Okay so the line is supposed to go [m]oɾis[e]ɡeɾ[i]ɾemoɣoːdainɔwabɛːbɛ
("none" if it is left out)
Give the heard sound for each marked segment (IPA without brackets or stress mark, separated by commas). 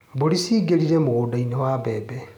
b, i, i